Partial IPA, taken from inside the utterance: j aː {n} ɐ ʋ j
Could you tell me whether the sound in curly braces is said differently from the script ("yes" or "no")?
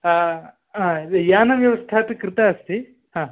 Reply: no